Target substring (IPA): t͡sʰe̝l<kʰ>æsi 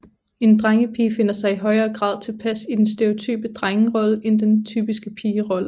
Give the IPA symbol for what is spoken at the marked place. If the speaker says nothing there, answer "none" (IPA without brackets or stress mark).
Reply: pʰ